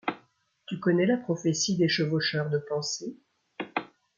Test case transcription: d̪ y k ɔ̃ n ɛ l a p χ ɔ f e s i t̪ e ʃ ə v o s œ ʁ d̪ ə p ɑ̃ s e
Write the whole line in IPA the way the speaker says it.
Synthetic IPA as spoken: t̪ y k ɔ n ɛ l a p χ ɔ f e s i d̪ e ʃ ə v o ʃ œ ʁ d̪ ə p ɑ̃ s e